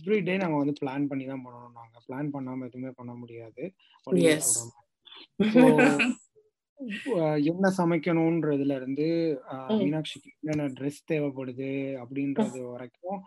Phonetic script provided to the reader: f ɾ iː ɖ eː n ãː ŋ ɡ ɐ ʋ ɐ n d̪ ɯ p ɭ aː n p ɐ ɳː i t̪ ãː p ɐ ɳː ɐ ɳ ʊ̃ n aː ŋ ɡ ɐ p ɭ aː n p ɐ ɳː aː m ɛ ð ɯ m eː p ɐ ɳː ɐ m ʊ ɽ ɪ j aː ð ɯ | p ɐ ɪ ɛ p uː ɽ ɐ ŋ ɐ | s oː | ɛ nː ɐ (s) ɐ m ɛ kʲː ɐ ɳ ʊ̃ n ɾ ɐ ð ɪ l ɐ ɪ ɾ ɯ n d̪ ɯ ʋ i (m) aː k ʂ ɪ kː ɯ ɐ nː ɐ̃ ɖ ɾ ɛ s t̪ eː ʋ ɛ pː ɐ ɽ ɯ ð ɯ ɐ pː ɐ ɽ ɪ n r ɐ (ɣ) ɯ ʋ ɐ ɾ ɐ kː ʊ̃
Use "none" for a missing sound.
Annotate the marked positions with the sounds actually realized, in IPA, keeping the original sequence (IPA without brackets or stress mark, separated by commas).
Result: s, n, ð